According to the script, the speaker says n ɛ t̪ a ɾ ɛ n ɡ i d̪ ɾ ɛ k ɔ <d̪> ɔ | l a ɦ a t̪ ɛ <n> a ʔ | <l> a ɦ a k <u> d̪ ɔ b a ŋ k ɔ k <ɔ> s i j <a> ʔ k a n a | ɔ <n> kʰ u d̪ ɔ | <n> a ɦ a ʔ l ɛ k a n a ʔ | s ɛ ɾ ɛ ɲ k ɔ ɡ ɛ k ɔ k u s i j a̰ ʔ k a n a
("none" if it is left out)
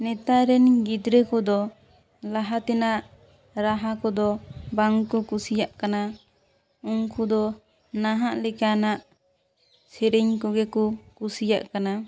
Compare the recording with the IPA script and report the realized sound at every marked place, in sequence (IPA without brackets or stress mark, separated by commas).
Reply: d̪, n, ɾ, ɔ, u, a, ŋ, n